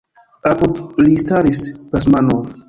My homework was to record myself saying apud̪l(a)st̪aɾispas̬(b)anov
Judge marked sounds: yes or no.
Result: no, no

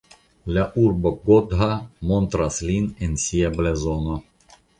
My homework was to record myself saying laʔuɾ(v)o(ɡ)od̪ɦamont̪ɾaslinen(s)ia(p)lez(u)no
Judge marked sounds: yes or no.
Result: no, yes, yes, no, no

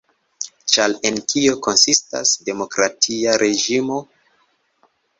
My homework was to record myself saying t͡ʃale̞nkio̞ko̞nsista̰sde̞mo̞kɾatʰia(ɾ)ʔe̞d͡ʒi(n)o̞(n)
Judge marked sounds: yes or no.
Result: yes, no, no

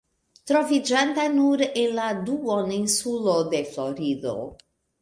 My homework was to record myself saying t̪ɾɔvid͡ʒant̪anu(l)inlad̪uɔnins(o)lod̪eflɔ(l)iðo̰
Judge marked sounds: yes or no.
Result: no, no, no

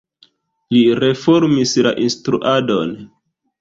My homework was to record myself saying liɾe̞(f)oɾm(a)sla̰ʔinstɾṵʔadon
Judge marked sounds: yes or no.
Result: yes, no

